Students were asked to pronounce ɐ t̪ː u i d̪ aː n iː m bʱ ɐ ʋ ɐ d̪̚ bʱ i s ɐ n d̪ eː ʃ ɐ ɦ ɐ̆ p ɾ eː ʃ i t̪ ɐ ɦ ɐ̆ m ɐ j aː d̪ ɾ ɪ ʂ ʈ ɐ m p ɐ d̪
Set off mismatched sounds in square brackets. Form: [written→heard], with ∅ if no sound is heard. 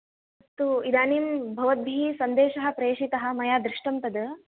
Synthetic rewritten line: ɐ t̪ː u i d̪ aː n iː m bʱ ɐ ʋ ɐ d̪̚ bʱ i s ɐ n d̪ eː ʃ ɐ ɦ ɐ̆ p ɾ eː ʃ i t̪ ɐ ɦ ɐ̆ m ɐ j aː d̪ ɾ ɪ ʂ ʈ ɐ m p ɐ d̪

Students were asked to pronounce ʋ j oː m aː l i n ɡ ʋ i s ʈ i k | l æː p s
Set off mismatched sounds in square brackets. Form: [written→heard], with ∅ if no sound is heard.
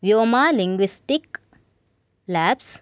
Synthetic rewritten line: ʋ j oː m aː l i [n→ŋ] ɡ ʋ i s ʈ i k | l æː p s

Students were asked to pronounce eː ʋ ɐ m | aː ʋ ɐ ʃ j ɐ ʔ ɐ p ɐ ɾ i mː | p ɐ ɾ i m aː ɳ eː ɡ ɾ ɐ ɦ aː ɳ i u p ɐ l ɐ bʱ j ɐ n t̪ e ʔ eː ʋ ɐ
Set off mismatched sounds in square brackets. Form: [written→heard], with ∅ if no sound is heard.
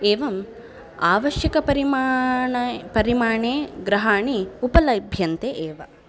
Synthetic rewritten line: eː ʋ ɐ m | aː ʋ ɐ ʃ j ɐ [ʔ→k] ɐ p ɐ ɾ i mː | p ɐ ɾ i m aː ɳ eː ɡ ɾ ɐ ɦ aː ɳ i u p ɐ l ɐ bʱ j ɐ n t̪ e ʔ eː ʋ ɐ

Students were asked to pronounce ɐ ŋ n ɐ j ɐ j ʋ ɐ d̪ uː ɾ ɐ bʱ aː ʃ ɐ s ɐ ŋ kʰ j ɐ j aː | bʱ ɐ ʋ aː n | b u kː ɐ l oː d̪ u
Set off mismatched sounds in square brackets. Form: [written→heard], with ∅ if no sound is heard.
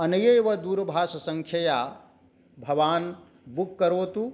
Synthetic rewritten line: ɐ [ŋ→∅] n ɐ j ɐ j ʋ ɐ d̪ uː ɾ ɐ bʱ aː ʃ ɐ s ɐ ŋ kʰ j ɐ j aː | bʱ ɐ ʋ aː n | b u kː ɐ [l→ɾ] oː [d̪→t̪] u

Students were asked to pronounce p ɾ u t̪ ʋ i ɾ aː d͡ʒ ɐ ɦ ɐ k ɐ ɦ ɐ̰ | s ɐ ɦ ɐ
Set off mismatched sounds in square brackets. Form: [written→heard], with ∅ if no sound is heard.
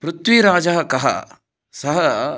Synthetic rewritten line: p ɾ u t̪ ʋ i ɾ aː d͡ʒ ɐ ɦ ɐ k ɐ ɦ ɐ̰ | s ɐ ɦ ɐ

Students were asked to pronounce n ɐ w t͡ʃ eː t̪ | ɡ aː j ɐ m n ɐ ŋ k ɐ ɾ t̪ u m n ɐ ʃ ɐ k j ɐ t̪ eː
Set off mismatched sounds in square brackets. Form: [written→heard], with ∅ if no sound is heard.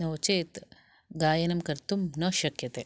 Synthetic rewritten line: n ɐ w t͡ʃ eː t̪ | ɡ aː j ɐ [m→∅] n ɐ [ŋ→m] k ɐ ɾ t̪ u m n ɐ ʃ ɐ k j ɐ t̪ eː

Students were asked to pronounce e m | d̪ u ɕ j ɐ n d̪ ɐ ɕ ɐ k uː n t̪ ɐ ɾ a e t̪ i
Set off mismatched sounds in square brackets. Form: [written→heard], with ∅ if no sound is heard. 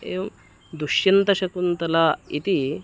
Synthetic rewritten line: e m | d̪ u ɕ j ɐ n [d̪→t̪] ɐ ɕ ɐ k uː n t̪ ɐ [ɾ→l] a [e→i] t̪ i

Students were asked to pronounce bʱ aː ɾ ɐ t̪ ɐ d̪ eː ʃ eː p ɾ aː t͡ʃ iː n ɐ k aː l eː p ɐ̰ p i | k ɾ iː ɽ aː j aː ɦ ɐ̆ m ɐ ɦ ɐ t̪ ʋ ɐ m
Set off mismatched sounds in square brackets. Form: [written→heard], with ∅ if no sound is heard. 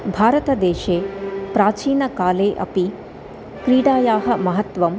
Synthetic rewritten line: bʱ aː ɾ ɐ t̪ ɐ d̪ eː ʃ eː p ɾ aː t͡ʃ iː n ɐ k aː l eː [p→ʔ] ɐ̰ p i | k ɾ iː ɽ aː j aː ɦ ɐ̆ m ɐ ɦ ɐ t̪ ʋ ɐ m

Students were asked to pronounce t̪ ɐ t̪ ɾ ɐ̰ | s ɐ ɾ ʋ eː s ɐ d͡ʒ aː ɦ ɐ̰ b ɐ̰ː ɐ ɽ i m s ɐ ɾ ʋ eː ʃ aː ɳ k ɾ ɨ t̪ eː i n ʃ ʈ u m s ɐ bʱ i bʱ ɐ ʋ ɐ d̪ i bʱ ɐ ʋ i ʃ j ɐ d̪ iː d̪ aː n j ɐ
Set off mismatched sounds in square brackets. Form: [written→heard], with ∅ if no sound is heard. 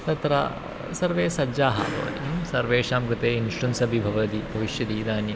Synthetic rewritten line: t̪ ɐ t̪ ɾ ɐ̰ | s ɐ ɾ ʋ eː s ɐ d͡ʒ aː ɦ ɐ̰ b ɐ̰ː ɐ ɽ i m s ɐ ɾ ʋ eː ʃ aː [ɳ→m] k ɾ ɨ t̪ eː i n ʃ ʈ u [m→n] s ɐ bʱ i bʱ ɐ ʋ ɐ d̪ i bʱ ɐ ʋ i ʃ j ɐ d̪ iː d̪ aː n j ɐ

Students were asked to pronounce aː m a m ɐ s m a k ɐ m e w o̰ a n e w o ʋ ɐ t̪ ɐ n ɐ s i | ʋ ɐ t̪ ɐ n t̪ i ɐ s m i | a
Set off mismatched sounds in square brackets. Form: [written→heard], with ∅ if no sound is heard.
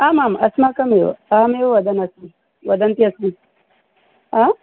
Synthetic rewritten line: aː m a m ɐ s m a k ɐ m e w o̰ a [n→m] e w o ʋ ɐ [t̪→d̪] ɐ n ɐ s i | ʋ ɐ [t̪→d̪] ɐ n t̪ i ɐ s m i | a

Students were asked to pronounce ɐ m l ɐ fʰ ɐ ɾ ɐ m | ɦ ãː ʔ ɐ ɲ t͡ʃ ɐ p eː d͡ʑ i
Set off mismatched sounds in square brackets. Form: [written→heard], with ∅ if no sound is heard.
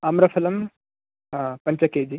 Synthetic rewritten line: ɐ m [l→ɾ] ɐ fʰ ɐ [ɾ→l] ɐ m | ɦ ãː [ʔ→p] ɐ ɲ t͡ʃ ɐ [p→k] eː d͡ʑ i

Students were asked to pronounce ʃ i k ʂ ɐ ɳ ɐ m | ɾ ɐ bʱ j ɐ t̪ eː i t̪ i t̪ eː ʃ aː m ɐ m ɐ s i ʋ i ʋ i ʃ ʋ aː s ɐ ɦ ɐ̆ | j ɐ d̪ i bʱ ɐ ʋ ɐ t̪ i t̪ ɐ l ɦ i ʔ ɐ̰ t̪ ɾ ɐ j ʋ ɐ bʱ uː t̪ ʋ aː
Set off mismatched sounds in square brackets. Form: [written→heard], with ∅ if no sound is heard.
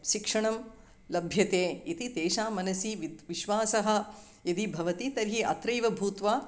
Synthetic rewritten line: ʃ i k ʂ ɐ ɳ ɐ m | [ɾ→l] ɐ bʱ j ɐ t̪ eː i t̪ i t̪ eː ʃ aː m ɐ [m→n] ɐ s i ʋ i ʋ i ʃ ʋ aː s ɐ ɦ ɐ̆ | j ɐ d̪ i bʱ ɐ ʋ ɐ t̪ i t̪ ɐ [l→ɾ] ɦ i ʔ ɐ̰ t̪ ɾ ɐ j ʋ ɐ bʱ uː t̪ ʋ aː

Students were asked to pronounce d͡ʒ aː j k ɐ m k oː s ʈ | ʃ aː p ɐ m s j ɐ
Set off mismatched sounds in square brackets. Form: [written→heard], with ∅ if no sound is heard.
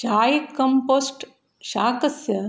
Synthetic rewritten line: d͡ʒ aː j k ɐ m [k→p] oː s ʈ | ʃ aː [p→k] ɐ [m→∅] s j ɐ

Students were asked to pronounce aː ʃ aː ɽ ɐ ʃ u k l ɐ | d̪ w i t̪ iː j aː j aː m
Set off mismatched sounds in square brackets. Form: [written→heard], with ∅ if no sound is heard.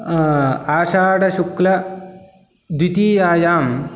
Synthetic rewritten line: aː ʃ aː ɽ ɐ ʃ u k l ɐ | d̪ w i t̪ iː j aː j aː m

